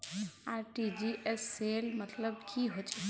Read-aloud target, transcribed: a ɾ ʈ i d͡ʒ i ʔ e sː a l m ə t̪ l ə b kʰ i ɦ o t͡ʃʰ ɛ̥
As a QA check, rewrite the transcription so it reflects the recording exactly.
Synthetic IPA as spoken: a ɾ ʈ i d͡ʒ i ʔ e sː e l m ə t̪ l ə b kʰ i ɦ o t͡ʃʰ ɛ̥